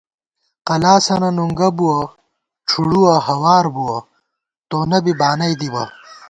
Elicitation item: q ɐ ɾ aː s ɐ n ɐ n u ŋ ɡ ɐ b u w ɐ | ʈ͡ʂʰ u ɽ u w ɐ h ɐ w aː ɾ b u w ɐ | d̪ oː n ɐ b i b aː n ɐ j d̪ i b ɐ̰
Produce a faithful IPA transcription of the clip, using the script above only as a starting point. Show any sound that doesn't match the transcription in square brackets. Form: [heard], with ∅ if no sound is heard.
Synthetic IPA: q ɐ [l] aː s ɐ n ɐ n u ŋ ɡ ɐ b u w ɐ | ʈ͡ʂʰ u ɽ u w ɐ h ɐ w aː ɾ b u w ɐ | [t̪] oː n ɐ b i b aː n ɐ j d̪ i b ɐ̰